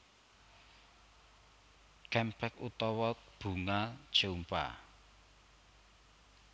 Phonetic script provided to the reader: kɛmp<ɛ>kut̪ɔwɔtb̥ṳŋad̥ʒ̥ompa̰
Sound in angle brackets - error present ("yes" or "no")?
no